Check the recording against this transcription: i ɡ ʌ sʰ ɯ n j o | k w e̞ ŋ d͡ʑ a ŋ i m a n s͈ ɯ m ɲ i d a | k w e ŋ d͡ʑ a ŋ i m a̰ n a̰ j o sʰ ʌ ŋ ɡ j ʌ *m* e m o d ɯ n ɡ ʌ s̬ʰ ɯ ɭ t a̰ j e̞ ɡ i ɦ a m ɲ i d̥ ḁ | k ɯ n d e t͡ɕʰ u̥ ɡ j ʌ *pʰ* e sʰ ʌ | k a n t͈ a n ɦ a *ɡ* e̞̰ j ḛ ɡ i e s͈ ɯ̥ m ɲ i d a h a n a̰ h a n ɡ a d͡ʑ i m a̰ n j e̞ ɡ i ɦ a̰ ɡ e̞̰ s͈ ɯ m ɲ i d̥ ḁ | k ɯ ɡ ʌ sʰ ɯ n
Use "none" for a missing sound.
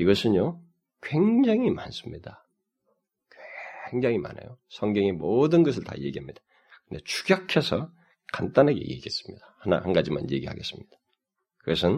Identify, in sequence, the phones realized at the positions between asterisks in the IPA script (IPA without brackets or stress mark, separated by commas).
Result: ŋ, kʰ, ɡ